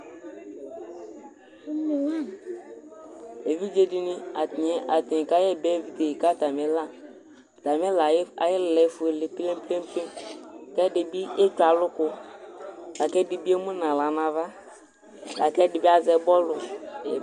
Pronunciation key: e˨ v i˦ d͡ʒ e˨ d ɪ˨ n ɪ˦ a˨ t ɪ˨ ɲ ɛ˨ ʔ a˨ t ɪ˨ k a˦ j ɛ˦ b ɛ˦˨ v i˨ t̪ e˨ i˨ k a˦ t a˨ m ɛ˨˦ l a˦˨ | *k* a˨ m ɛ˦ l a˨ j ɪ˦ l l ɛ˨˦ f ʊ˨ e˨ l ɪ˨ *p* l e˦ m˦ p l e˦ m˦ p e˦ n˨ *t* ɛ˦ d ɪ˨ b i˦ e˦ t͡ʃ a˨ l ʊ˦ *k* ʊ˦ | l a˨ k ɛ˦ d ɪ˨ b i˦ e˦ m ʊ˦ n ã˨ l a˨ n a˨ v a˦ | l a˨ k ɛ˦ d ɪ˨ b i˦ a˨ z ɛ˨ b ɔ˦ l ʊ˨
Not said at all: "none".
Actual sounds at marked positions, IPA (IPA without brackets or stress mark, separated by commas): t, p, k, k